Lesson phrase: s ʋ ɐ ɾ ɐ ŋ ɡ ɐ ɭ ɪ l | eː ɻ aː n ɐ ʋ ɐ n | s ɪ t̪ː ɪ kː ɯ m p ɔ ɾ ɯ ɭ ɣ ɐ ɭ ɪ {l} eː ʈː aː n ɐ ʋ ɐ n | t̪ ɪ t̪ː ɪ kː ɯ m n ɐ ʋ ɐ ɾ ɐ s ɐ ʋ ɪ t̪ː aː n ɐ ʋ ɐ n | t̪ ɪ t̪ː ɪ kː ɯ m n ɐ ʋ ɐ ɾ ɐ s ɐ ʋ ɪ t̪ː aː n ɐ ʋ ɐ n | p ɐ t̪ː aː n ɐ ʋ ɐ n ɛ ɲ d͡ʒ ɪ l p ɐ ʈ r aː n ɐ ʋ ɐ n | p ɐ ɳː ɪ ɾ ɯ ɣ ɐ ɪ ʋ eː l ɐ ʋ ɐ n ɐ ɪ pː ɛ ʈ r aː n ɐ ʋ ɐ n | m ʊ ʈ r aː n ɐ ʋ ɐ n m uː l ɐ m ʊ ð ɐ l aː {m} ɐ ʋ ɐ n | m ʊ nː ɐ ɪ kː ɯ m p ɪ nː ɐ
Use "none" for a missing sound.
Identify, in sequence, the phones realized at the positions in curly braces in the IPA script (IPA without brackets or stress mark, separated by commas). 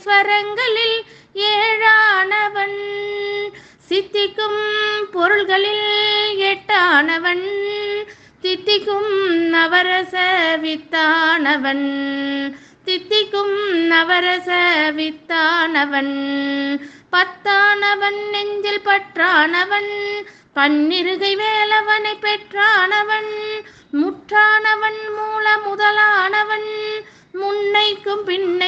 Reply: l, n